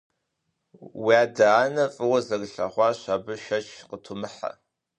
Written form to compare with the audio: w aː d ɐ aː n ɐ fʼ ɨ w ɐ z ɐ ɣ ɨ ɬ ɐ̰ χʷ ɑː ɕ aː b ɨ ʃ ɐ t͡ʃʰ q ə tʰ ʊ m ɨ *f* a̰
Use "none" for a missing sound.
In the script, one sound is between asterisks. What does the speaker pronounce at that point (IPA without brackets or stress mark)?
ħ